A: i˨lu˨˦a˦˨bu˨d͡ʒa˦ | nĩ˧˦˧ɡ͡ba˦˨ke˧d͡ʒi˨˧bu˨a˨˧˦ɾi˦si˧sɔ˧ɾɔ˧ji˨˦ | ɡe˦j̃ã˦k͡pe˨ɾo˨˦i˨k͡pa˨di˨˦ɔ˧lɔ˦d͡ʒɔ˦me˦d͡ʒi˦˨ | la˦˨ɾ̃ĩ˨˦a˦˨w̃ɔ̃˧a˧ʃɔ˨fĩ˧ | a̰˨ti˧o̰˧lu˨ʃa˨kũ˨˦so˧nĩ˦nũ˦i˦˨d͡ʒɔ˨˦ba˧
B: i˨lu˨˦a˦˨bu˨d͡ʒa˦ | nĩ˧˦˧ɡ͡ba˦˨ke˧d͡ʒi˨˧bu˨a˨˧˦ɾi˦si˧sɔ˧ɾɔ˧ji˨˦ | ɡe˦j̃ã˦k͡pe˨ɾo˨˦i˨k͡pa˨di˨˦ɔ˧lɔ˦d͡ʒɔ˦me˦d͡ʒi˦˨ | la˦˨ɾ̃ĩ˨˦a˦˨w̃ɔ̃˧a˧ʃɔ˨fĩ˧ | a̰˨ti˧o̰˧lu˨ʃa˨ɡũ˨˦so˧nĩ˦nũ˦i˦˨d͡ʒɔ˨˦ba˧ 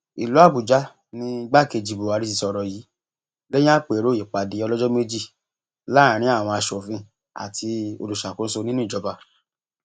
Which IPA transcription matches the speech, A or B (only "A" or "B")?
A